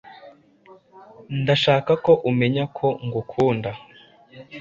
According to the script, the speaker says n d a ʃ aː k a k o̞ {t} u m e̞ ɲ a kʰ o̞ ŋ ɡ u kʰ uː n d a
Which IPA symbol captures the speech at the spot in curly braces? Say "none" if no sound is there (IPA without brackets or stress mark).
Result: ʔ